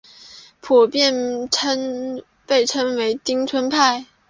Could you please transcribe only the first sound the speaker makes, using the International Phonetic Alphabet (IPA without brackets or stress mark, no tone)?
pʰ